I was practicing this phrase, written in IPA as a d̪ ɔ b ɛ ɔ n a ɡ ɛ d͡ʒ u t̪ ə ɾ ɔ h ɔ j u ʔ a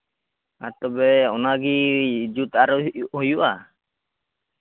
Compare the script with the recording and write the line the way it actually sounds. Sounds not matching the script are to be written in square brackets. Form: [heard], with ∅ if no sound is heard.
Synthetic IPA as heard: a [t̪] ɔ b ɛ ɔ n a ɡ [i] d͡ʒ u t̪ [a] ɾ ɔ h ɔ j u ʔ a